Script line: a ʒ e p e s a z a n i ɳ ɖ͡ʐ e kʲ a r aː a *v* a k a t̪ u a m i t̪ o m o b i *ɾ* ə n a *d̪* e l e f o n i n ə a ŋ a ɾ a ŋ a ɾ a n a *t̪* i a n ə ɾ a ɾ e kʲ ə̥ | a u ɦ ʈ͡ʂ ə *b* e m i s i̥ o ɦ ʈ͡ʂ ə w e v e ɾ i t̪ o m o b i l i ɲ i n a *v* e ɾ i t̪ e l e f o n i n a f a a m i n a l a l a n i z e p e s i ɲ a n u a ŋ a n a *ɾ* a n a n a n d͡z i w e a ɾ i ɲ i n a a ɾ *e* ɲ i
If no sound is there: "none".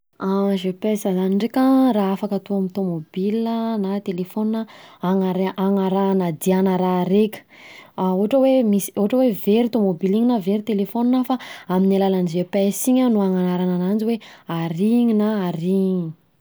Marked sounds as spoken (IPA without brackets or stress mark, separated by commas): f, l, t̪, d̪, w, v, ɾ, i